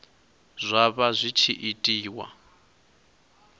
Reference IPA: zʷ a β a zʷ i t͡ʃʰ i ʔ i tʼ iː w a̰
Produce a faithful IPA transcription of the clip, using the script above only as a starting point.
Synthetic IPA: zʷ a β a zʷ i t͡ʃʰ i ʔ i tʼ iː w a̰